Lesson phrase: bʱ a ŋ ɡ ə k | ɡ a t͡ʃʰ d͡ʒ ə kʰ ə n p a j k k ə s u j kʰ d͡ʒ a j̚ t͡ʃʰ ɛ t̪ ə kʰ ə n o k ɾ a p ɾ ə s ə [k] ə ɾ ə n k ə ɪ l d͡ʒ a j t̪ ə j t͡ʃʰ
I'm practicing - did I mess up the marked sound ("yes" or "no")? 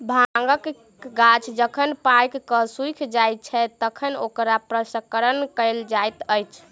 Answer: no